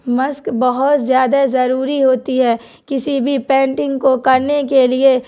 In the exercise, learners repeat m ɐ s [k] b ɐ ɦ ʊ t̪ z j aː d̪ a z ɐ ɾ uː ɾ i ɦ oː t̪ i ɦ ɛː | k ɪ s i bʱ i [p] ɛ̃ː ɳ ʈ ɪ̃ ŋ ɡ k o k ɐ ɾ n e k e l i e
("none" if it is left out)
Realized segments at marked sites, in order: k, p

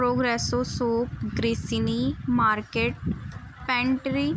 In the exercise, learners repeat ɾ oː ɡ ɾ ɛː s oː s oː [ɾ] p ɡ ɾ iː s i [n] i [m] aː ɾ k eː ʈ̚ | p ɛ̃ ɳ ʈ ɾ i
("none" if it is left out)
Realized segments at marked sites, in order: none, n, m

